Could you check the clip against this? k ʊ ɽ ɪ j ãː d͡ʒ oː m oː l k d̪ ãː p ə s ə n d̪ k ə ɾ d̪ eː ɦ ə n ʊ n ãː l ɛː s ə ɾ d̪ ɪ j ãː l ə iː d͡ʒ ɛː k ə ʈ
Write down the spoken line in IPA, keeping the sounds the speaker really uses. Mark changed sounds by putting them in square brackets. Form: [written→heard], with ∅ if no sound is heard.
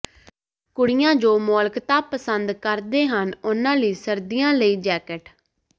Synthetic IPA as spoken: k ʊ ɽ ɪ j ãː d͡ʒ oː m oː l k [d̪→t̪] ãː p ə s ə n d̪ k ə ɾ d̪ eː ɦ ə n ʊ n ãː l [ɛː→iː] s ə ɾ d̪ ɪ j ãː l ə iː d͡ʒ ɛː k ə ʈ